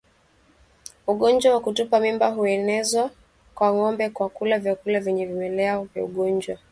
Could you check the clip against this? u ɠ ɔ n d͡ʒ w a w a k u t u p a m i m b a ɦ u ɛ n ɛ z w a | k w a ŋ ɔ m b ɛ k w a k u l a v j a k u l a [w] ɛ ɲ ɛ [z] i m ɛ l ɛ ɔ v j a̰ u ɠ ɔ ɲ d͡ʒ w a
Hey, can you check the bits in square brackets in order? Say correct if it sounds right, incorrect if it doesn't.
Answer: incorrect: v, incorrect: v

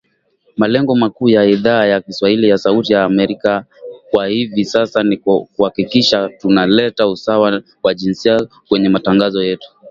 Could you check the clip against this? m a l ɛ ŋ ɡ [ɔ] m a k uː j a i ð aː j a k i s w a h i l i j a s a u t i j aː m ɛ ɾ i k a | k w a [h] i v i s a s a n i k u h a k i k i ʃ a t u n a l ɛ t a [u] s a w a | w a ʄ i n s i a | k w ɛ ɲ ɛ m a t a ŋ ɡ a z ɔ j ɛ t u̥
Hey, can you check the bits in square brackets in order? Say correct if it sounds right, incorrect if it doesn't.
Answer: correct, correct, correct

